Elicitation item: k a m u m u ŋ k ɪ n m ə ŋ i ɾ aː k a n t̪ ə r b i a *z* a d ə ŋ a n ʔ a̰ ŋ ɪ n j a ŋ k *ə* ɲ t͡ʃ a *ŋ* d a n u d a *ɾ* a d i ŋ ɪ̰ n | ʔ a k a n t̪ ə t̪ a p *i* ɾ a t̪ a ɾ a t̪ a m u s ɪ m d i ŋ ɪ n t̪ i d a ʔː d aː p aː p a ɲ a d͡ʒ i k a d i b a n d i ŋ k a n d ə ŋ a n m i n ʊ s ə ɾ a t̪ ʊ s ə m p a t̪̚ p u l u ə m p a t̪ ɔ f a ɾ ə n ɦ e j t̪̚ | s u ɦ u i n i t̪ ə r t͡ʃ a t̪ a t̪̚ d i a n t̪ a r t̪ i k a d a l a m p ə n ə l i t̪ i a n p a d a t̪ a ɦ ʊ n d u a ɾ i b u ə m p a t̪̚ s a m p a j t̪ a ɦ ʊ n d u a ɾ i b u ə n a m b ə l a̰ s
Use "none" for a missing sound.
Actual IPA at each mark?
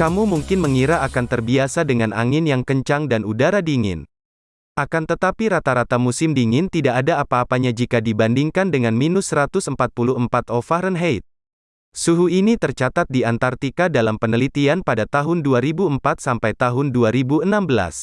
s, ə, ŋ, ɾ, i

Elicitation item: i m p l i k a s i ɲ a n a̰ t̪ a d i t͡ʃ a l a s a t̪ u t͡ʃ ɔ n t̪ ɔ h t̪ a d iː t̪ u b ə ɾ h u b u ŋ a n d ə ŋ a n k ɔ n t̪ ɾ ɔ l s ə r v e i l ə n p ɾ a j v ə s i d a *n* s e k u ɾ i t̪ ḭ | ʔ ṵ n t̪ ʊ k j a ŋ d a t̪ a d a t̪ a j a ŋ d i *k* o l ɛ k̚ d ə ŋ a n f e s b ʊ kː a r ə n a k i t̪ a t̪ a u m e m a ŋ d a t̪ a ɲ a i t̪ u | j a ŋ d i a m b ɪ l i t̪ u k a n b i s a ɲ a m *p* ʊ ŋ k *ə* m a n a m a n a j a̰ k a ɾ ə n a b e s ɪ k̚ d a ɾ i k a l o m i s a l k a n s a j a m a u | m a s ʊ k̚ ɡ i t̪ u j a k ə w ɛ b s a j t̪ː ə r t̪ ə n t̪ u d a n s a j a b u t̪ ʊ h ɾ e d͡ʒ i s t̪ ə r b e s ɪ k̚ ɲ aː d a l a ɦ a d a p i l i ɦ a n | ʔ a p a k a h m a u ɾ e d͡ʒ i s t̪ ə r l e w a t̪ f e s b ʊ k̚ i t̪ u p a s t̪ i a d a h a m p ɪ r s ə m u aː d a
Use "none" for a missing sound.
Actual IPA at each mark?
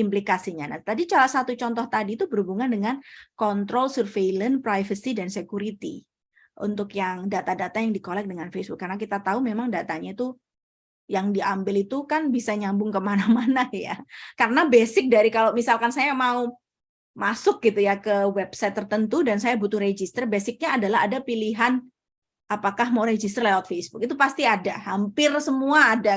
n, k, b, ə

